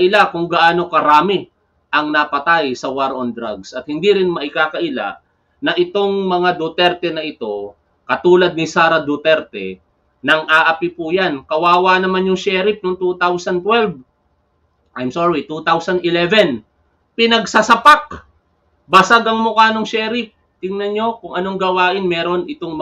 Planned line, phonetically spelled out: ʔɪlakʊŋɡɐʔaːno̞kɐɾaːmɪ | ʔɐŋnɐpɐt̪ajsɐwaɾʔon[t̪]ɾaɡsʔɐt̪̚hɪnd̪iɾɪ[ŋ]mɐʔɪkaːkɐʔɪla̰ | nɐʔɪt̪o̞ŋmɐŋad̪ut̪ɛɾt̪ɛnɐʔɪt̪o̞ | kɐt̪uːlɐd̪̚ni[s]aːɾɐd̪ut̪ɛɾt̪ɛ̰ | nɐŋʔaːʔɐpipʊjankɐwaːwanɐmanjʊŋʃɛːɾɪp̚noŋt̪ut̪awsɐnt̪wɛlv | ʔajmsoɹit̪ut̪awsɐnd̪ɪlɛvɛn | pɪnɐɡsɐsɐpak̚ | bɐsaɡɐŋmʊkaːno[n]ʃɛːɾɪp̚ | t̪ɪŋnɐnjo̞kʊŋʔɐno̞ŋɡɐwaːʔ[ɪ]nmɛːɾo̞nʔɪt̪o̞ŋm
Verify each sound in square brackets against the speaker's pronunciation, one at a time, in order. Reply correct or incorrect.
incorrect, incorrect, correct, incorrect, correct

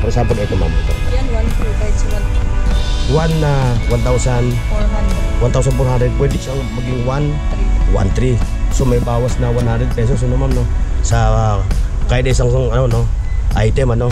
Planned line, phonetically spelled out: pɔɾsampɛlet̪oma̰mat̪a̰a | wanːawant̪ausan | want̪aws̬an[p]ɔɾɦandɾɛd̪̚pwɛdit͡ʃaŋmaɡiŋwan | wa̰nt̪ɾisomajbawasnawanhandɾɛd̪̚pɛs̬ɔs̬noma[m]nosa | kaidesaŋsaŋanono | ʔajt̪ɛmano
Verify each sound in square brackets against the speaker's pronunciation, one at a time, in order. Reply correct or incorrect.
correct, correct

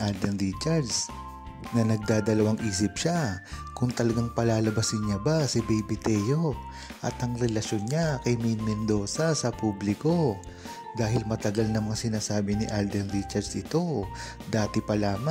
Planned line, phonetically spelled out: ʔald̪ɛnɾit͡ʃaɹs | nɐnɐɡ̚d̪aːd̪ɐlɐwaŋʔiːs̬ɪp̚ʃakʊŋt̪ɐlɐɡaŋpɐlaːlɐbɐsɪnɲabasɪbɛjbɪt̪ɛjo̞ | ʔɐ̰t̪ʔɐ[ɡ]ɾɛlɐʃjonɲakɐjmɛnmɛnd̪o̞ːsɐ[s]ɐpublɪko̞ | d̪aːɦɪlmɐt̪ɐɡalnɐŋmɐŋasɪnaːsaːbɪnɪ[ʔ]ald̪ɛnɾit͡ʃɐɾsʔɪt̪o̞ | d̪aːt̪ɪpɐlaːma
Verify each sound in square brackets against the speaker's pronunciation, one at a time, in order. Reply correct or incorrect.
incorrect, correct, correct

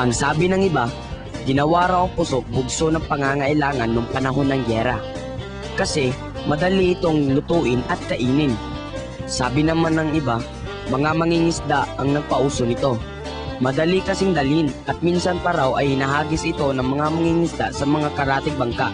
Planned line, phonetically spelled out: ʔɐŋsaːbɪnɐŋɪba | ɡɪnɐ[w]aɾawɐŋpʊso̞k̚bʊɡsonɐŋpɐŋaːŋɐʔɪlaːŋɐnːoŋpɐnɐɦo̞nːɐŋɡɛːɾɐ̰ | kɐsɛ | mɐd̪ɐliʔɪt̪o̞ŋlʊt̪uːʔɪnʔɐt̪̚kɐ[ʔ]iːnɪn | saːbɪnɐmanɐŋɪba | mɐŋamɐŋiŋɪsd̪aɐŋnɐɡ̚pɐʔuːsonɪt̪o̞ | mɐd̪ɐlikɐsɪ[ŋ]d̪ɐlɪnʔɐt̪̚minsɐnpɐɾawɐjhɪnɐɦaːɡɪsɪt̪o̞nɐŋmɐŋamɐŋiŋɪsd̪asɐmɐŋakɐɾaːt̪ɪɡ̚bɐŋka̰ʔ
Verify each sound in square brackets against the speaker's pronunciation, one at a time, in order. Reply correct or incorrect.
correct, correct, correct

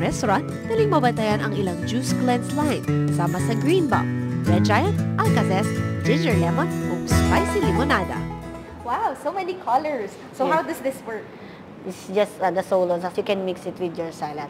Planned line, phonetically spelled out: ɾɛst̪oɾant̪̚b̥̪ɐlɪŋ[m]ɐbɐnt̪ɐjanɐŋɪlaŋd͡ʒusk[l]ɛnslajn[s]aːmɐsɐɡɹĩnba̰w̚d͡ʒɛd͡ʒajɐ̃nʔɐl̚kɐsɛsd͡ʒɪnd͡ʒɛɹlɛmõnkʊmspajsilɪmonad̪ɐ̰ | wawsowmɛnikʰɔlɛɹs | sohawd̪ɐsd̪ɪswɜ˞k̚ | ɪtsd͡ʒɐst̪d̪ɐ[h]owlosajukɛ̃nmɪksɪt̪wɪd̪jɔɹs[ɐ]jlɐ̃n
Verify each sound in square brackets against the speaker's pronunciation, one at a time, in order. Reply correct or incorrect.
correct, correct, correct, incorrect, incorrect

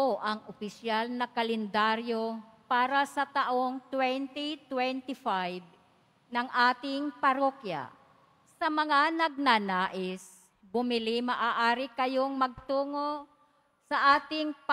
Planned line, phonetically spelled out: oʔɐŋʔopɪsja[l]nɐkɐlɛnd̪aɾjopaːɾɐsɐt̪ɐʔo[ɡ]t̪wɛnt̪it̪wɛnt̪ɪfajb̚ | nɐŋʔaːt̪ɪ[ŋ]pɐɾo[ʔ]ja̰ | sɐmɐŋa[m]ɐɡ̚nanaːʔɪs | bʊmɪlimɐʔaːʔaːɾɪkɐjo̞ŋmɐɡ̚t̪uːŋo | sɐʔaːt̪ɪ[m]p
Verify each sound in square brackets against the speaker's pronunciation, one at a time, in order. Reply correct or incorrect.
correct, incorrect, correct, incorrect, incorrect, incorrect

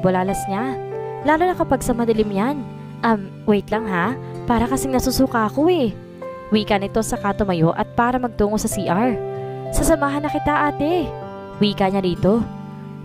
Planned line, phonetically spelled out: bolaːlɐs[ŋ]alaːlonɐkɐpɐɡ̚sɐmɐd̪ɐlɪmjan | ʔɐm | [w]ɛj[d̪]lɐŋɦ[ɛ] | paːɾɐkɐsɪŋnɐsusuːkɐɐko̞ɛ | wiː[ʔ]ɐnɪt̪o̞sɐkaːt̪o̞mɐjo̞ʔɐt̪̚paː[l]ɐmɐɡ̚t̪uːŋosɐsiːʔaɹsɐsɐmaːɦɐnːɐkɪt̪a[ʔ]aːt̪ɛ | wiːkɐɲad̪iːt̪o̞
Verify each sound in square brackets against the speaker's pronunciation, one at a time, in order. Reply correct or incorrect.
incorrect, correct, incorrect, incorrect, incorrect, incorrect, correct

